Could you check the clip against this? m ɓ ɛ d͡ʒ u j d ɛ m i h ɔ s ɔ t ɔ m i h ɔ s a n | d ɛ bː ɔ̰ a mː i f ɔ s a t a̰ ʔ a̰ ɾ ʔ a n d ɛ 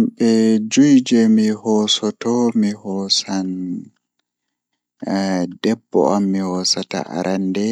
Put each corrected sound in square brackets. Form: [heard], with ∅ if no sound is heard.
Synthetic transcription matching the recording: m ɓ ɛ d͡ʒ u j [d͡ʒ] ɛ m i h ɔ s ɔ t ɔ m i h ɔ s a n | d ɛ bː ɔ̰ a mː i [h] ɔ s a t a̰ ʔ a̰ ɾ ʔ a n d ɛ